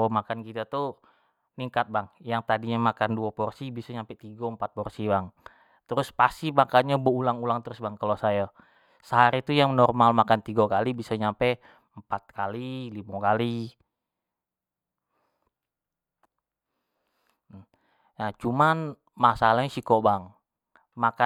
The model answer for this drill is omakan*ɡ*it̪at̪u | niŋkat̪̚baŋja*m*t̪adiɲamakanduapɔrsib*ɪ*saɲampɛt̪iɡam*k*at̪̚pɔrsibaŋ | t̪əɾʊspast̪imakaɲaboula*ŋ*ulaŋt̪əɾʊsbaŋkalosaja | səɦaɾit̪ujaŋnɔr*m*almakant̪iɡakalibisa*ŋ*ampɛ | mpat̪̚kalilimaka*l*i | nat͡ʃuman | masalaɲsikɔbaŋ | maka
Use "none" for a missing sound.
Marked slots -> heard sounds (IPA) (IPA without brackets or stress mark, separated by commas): k, ŋ, i, p, ŋ, m, ɲ, l